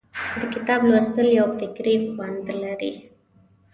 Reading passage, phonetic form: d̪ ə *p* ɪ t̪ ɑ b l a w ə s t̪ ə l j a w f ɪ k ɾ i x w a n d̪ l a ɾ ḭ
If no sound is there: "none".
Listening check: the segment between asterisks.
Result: k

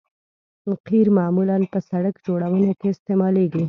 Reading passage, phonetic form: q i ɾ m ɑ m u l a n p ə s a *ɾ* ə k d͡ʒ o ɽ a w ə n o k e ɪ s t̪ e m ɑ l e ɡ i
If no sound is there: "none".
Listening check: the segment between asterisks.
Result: ɽ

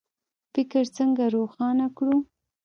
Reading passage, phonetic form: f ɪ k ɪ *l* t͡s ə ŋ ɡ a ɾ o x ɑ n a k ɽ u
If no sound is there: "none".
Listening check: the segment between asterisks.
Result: ɾ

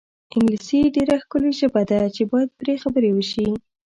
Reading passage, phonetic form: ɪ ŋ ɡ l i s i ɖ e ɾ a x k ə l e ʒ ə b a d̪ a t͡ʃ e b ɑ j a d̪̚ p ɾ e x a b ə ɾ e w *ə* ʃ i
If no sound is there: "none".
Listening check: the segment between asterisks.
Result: ə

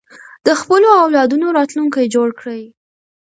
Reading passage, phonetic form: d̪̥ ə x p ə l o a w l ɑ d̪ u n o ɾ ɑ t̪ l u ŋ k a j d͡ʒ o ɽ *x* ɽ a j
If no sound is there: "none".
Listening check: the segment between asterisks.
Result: k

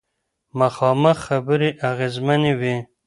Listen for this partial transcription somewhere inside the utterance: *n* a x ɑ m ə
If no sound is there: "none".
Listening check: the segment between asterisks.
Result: m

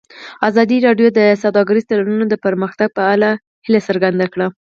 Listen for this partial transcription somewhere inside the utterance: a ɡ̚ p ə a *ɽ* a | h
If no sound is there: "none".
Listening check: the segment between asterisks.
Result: l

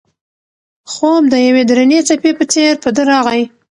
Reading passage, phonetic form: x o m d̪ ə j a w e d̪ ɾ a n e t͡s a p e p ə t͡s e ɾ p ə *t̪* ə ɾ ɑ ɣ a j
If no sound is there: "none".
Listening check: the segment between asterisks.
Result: d̪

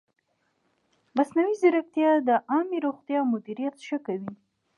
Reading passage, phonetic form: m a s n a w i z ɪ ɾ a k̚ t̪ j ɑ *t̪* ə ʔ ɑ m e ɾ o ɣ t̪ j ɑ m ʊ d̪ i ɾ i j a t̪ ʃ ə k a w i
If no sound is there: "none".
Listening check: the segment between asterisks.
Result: d̪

